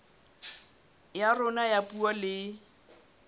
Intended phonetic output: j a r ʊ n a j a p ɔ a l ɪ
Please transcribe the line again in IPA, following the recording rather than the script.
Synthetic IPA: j a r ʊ n a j a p u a l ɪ